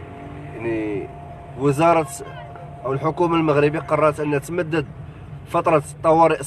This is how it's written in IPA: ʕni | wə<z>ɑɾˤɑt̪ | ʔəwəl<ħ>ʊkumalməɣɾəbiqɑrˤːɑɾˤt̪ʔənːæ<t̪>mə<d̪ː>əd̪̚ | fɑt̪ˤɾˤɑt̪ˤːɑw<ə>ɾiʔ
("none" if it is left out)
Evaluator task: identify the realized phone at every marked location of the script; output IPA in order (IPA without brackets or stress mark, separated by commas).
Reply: z, ħ, t̪, d̪ː, ɑ